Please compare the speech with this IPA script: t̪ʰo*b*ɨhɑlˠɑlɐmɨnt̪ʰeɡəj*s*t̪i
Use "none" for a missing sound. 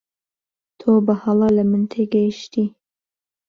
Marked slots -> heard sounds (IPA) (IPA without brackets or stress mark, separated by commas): b, ʃ